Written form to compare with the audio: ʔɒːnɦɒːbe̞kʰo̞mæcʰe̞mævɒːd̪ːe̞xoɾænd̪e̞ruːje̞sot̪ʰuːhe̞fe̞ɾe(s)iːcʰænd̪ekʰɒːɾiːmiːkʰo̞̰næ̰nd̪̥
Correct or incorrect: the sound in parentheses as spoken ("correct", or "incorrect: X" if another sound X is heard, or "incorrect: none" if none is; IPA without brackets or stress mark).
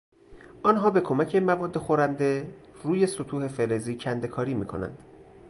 incorrect: z